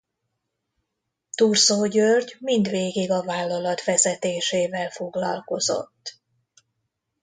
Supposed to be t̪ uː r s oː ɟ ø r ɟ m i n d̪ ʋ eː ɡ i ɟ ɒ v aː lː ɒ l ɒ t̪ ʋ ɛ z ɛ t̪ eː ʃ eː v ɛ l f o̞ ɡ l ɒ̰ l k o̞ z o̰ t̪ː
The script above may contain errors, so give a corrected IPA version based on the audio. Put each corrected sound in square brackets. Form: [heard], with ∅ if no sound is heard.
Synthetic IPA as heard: t̪ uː r s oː ɟ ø r ɟ m i n d̪ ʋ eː ɡ i [ɡ] ɒ v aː lː ɒ l ɒ t̪ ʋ ɛ z ɛ t̪ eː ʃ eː v ɛ l f o̞ ɡ l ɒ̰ l k o̞ z o̰ t̪ː